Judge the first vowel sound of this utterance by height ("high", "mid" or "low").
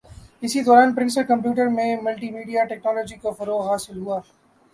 high